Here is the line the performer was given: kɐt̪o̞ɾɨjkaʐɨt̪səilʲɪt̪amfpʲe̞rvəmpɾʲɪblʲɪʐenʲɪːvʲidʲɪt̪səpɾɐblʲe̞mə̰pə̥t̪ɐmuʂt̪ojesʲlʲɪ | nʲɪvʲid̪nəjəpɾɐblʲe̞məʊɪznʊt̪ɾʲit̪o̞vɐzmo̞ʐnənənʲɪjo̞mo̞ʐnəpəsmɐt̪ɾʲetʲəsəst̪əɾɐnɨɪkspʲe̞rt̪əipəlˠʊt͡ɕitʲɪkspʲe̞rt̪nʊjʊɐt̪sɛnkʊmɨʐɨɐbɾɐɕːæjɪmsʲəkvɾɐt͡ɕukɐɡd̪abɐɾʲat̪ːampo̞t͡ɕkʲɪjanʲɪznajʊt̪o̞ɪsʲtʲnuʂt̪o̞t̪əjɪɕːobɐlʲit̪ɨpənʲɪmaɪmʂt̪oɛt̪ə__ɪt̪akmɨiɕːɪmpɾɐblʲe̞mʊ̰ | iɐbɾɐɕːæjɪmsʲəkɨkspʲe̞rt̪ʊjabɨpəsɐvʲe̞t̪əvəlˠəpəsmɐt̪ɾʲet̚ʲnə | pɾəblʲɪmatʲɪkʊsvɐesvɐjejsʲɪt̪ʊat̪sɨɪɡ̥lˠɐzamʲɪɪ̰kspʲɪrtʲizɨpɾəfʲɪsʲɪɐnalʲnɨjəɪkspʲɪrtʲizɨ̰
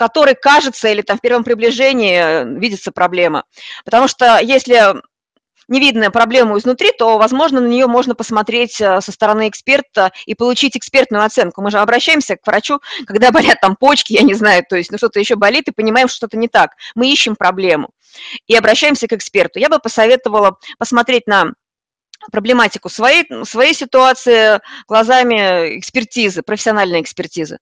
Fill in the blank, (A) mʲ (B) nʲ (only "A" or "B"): B